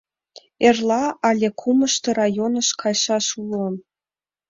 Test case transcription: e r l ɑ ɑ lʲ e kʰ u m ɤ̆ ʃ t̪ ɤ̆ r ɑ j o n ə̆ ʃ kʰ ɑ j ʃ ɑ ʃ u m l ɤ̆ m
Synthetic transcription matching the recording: e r l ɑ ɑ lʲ e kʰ u m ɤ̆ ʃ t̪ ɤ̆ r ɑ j o n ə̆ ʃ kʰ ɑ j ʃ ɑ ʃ u l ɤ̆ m